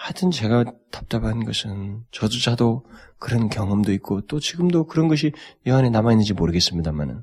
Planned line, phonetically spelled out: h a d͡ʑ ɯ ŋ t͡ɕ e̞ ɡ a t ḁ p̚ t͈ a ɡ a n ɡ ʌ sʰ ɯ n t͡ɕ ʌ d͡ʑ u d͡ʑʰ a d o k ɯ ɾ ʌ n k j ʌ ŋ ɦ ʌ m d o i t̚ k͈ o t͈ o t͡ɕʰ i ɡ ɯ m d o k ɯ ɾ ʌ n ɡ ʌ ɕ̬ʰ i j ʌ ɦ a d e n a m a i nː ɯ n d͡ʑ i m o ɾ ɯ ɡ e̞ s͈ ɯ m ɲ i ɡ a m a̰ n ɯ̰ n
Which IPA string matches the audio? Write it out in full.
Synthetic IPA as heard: h a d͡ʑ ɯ n t͡ɕ e̞ ɡ a t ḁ p̚ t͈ a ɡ a n ɡ ʌ sʰ ɯ n t͡ɕ ʌ d͡ʑ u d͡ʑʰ a d o k ɯ ɾ ʌ n k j ʌ ŋ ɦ ʌ m d o i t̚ k͈ o t͈ o t͡ɕ i ɡ ɯ m d o k ɯ ɾ ʌ n ɡ ʌ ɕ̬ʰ i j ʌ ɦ a n e n a m a i nː ɯ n d͡ʑ i m o ɾ ɯ ɡ e̞ s͈ ɯ m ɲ i d a m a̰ n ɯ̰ n